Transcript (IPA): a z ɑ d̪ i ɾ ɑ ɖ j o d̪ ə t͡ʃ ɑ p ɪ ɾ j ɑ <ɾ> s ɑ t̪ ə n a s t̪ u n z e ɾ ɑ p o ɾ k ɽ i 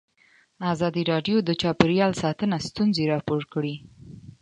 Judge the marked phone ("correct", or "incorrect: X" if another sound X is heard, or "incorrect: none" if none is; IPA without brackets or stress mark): incorrect: l